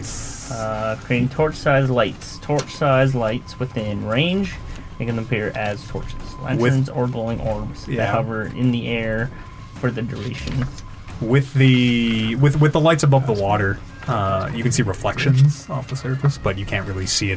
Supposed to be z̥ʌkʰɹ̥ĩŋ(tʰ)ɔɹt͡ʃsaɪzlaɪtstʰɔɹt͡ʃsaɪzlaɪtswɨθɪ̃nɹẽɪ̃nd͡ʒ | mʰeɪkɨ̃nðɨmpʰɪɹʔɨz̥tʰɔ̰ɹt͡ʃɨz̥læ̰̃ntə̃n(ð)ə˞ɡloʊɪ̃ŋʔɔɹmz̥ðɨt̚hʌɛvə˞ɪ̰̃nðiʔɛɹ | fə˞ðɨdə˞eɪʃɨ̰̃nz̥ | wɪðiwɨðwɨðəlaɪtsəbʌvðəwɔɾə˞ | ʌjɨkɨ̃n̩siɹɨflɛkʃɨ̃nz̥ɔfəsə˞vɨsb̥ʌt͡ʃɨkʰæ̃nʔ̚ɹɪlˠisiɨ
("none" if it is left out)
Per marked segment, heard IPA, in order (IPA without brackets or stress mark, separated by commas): tʰ, z